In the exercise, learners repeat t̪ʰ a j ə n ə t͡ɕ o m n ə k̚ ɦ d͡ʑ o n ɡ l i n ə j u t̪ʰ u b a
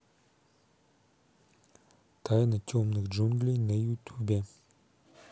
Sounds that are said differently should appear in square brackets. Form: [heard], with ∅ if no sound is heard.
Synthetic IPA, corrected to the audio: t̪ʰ a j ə n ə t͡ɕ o m n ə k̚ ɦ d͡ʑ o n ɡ l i n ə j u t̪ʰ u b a